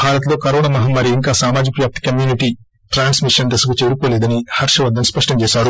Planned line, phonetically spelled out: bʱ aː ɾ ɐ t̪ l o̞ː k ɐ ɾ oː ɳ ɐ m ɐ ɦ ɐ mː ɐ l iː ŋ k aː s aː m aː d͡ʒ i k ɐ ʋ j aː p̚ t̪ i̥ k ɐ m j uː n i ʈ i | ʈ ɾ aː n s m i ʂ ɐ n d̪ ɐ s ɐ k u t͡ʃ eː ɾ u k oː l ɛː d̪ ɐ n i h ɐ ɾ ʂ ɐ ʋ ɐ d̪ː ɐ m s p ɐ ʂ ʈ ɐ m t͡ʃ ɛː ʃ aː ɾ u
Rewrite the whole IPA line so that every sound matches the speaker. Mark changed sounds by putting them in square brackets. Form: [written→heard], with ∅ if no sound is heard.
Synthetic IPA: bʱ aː ɾ ɐ t̪ l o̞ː k ɐ ɾ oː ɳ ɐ m ɐ ɦ ɐ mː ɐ [l→ɾ] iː ŋ k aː s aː m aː d͡ʒ i k ɐ ʋ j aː p̚ t̪ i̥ k ɐ m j uː n i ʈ i | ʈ ɾ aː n s m i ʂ ɐ n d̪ ɐ s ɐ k u t͡ʃ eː ɾ u k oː l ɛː d̪ ɐ n i h ɐ ɾ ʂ ɐ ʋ ɐ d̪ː ɐ m s p ɐ ʂ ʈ ɐ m t͡ʃ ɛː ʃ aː ɾ u